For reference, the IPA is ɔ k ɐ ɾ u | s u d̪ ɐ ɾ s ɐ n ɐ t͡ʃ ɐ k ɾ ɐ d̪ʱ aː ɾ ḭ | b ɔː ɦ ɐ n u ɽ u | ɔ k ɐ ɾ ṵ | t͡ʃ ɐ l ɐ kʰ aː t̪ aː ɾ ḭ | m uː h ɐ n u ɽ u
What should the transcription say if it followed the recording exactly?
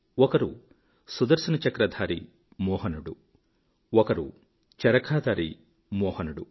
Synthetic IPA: ɔ k ɐ ɾ u | s u d̪ ɐ ɾ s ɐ n ɐ t͡ʃ ɐ k ɾ ɐ d̪ʱ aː ɾ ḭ | m ɔː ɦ ɐ n u ɽ u | ɔ k ɐ ɾ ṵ | t͡ʃ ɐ ɾ ɐ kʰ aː d̪ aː ɾ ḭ | m ɔː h ɐ n u ɽ u